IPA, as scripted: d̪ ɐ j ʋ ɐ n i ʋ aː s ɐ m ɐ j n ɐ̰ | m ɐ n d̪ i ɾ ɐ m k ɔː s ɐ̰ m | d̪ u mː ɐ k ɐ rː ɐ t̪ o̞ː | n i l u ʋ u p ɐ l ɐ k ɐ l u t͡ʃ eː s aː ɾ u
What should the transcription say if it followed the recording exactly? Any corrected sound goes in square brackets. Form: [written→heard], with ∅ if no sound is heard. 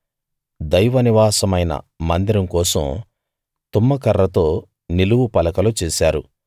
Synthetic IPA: d̪ ɐ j ʋ ɐ n i ʋ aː s ɐ m ɐ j n ɐ̰ | m ɐ n d̪ i ɾ ɐ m k ɔː s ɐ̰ m | [d̪→t̪] u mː ɐ k ɐ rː ɐ t̪ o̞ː | n i l u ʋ u p ɐ l ɐ k ɐ l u t͡ʃ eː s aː ɾ u